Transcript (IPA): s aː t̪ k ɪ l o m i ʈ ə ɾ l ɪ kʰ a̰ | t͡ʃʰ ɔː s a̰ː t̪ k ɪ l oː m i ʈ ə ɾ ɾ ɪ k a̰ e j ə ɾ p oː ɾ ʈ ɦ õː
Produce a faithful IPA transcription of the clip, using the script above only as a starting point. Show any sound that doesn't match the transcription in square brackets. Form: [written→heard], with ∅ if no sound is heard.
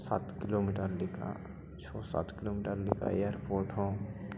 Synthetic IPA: s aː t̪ k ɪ l o m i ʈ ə ɾ l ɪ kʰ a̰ | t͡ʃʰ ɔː s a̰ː t̪ k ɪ l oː m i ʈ ə ɾ [ɾ→l] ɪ k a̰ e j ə ɾ p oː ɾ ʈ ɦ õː